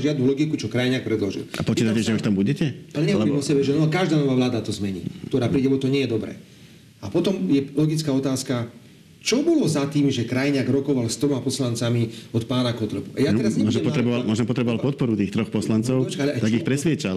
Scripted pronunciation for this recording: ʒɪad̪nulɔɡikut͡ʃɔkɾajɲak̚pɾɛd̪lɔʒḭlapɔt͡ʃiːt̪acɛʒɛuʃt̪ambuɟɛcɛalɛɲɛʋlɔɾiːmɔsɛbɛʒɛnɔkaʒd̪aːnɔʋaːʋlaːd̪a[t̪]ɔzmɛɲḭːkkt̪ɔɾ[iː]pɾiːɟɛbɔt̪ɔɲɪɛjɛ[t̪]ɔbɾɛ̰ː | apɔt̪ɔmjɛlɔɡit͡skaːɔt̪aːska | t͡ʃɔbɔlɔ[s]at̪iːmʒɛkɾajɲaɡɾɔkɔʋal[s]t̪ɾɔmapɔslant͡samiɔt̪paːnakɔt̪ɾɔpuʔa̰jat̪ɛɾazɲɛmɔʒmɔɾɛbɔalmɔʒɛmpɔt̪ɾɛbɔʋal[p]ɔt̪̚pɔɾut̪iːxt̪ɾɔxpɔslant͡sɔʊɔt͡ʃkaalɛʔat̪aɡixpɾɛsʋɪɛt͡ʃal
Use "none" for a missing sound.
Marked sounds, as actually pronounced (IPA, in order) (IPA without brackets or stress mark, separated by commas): t̪, aː, d̪, z, s, p